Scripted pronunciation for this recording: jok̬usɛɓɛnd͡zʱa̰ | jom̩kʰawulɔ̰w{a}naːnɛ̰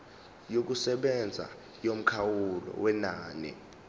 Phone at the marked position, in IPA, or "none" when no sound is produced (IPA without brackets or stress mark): ɛ